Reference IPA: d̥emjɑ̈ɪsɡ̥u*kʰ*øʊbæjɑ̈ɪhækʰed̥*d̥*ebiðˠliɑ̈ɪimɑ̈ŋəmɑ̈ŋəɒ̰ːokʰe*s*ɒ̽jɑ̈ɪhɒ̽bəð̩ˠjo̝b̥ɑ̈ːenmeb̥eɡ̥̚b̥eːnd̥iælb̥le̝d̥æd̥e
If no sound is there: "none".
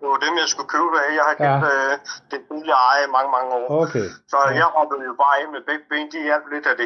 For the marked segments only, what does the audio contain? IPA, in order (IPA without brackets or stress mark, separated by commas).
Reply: kʰ, d̥, s